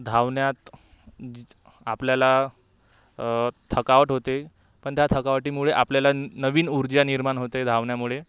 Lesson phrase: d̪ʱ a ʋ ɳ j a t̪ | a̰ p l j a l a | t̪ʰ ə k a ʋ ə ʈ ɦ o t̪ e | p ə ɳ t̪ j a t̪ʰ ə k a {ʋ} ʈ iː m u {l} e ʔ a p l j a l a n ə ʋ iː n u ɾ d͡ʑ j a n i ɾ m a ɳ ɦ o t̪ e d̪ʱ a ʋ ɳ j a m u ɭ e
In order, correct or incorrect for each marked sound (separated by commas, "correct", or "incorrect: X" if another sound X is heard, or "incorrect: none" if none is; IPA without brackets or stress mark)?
correct, incorrect: ɭ